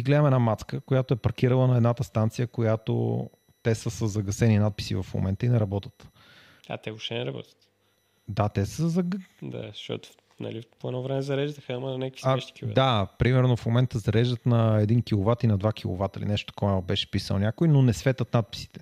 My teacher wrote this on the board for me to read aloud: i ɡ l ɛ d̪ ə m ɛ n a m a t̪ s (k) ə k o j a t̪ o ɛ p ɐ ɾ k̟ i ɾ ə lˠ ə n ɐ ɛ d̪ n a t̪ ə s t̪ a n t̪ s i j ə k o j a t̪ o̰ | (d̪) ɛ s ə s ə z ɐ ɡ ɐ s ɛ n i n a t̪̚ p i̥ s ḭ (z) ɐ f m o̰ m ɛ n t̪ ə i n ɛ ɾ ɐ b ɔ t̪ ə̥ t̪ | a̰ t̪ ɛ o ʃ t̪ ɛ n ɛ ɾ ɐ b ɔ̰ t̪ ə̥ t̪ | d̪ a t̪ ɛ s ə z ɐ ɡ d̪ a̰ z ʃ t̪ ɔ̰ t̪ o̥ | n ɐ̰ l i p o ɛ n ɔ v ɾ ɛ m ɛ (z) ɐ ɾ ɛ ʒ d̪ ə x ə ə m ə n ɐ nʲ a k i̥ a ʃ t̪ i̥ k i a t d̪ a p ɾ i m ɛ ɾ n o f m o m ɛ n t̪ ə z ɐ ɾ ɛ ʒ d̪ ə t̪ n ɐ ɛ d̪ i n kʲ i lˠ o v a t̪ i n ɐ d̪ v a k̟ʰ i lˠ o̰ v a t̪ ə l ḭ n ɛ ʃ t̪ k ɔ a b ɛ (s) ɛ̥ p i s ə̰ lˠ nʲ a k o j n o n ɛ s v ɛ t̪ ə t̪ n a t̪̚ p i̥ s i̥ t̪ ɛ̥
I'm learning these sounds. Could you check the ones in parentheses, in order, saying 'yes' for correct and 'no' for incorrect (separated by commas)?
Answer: yes, no, no, yes, no